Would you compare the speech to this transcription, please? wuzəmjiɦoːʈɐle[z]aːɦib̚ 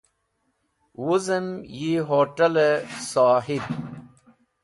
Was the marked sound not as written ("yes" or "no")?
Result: yes